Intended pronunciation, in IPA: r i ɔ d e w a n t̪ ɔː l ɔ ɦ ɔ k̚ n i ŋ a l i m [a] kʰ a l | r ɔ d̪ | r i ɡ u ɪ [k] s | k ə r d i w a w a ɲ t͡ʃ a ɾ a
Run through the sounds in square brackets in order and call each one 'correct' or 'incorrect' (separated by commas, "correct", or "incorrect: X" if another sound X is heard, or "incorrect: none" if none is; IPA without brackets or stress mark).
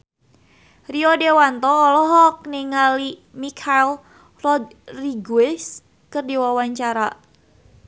incorrect: i, incorrect: none